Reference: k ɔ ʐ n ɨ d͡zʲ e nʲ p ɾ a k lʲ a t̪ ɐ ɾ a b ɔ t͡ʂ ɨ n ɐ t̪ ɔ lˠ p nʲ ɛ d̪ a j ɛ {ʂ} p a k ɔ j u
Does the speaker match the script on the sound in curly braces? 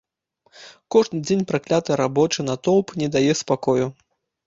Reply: no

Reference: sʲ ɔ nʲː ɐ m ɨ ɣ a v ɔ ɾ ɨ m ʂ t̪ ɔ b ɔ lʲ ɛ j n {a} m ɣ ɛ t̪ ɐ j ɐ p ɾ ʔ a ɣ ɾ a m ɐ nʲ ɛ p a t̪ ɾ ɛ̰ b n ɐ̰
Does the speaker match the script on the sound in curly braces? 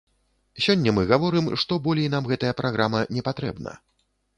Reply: yes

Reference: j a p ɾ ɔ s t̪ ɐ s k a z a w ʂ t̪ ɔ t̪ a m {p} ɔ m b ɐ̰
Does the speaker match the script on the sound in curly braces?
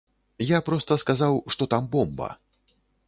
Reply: no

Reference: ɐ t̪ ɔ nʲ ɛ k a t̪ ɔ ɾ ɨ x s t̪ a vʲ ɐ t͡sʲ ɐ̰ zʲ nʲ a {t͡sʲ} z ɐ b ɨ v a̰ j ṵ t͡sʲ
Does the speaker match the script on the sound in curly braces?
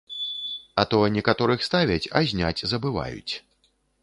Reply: yes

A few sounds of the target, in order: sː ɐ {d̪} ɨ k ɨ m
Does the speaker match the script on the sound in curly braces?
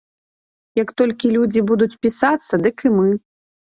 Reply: yes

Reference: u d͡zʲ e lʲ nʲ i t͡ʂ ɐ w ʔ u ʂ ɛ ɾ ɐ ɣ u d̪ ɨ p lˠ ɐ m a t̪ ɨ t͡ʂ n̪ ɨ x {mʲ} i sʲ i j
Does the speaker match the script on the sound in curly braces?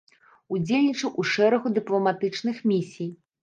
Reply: yes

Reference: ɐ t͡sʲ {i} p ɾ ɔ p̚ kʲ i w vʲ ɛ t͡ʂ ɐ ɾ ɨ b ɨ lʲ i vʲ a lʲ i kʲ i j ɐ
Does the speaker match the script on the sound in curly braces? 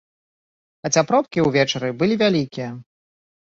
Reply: no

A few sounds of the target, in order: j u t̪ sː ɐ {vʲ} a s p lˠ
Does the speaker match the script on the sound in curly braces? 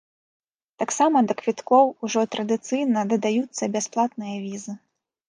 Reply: no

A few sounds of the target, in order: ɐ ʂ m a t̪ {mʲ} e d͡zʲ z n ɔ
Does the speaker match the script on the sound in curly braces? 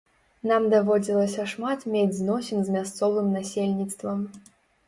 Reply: yes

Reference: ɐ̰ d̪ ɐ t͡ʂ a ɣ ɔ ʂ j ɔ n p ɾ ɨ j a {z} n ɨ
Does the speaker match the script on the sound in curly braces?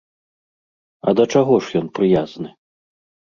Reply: yes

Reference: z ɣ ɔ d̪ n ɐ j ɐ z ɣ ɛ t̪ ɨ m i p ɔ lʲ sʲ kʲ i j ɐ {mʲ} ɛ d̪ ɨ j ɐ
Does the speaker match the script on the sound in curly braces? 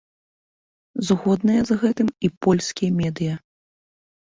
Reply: yes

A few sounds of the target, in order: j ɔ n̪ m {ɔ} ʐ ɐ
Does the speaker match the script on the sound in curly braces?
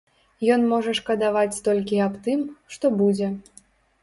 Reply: yes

